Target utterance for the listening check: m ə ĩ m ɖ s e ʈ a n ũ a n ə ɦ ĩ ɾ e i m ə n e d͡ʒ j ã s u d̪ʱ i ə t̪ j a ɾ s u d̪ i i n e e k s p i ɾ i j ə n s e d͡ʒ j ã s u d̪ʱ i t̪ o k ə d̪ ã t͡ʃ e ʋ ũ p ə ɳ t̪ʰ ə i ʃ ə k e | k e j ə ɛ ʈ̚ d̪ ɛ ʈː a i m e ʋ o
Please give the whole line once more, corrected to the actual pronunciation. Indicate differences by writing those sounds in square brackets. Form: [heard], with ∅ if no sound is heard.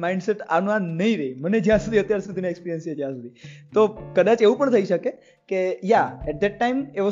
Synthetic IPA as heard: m [a] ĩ [ɳ] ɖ s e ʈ a n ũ a n ə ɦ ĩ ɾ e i m ə n e d͡ʒ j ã s u d̪ʱ i ə t̪ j a ɾ s u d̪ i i n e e k s p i ɾ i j ə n s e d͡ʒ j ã s u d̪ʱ i t̪ o k ə d̪ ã t͡ʃ e ʋ ũ p ə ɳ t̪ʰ ə i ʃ ə k e | k e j [a] ɛ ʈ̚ d̪ ɛ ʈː a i m e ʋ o